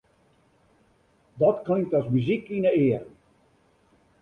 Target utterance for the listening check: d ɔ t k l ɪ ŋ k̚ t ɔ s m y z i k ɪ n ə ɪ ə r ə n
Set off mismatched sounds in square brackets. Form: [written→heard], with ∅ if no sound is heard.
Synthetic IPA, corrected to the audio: d ɔ t k l ɪ ŋ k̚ t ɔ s m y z i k [ɪ→i] n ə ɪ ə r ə n

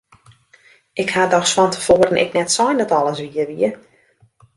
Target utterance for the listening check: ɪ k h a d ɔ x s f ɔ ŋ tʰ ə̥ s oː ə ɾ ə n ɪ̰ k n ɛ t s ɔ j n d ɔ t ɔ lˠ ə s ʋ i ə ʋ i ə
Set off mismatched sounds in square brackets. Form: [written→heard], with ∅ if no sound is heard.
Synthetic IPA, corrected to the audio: ɪ k h a d ɔ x s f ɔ [ŋ→n] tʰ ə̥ [s→f] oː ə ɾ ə n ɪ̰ k n ɛ t s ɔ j n d ɔ t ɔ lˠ ə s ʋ i ə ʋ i ə

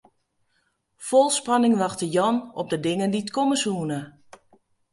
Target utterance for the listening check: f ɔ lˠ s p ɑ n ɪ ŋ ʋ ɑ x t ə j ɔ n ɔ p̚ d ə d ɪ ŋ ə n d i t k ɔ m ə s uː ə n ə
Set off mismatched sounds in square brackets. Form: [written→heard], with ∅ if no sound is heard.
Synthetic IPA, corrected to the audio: f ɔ lˠ s p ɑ n ɪ ŋ ʋ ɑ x t ə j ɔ n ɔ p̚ d ə d ɪ ŋ ə n d i t k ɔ m ə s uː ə n ə

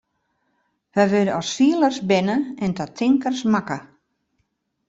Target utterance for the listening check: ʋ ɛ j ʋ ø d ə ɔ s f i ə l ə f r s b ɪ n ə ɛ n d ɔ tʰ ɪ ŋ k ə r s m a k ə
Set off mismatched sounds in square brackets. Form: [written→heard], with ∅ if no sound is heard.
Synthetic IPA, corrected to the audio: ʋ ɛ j ʋ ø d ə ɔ s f i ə l ə [f→∅] r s b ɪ n ə ɛ n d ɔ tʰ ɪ ŋ k ə r s m a k ə

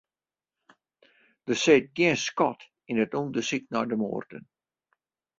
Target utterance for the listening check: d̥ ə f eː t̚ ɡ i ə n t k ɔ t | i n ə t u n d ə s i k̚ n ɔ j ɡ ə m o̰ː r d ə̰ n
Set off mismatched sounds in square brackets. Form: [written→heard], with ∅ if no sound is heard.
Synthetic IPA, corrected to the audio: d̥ ə [f→s] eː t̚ ɡ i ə n [t→s] k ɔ t | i n ə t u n d ə s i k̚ n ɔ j [ɡ→d] ə m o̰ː r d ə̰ n

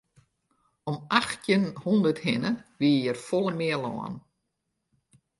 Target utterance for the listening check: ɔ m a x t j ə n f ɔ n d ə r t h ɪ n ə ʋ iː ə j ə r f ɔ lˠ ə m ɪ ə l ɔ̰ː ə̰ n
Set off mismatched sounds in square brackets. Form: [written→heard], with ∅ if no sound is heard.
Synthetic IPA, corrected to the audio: ɔ m a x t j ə n [f→h] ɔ n d ə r t h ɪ n ə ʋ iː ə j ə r f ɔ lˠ ə m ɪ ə l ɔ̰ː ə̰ n

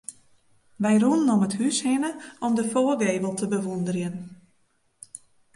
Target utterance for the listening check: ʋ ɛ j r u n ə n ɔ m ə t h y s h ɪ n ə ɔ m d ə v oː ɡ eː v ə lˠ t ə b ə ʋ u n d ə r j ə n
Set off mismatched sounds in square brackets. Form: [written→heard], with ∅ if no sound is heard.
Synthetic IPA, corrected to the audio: ʋ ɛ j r u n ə n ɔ m ə t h y s h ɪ n ə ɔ m d ə [v→f] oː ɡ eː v ə lˠ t ə b ə ʋ u n d ə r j ə n

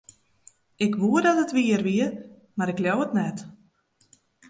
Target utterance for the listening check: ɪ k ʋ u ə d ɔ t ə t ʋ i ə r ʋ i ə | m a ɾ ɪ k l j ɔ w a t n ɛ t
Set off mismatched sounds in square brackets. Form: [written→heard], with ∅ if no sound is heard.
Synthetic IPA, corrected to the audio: ɪ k ʋ u ə d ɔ t ə t ʋ i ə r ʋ i ə | m a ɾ ɪ k l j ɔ w [a→ə] t n ɛ t

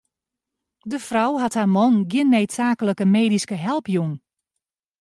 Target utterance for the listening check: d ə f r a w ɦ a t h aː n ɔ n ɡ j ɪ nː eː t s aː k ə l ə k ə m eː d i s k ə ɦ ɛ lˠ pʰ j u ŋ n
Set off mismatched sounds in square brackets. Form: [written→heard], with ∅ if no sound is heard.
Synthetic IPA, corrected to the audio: d ə f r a w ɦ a t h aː [n→m] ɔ n ɡ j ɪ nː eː t s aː k ə l ə k ə m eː d i s k ə ɦ ɛ lˠ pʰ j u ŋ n

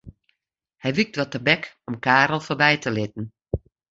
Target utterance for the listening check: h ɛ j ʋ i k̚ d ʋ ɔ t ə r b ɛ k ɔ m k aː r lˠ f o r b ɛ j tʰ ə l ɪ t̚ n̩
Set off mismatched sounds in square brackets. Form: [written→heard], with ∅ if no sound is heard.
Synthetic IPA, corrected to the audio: h ɛ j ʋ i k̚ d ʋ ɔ t ə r b ɛ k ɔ m k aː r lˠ f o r b ɛ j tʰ ə l ɪ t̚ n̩

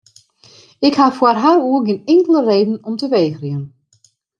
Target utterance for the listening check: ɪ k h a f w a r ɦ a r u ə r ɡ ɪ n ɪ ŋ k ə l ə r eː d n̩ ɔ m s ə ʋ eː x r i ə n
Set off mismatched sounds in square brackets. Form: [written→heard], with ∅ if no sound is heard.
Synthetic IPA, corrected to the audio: ɪ k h a f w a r ɦ a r u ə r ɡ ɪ n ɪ ŋ k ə l ə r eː d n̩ ɔ m [s→t] ə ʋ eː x r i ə n

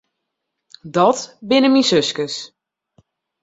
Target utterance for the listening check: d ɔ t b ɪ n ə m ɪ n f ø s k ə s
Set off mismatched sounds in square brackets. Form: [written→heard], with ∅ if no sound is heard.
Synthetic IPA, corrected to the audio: d ɔ t b ɪ n ə m [ɪ→i] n [f→s] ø s k ə s

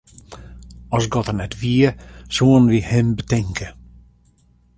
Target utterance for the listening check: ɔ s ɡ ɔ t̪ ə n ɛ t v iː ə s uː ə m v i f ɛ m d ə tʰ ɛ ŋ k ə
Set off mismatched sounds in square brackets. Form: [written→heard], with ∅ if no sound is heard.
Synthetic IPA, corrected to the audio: ɔ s ɡ ɔ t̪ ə n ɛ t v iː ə s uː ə [m→n] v i [f→h] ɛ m [d→b] ə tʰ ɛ ŋ k ə

